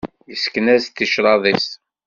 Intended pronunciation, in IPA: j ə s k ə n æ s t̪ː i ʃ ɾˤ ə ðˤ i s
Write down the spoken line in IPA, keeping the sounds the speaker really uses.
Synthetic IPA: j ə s k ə n æ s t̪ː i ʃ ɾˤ ɑ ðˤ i s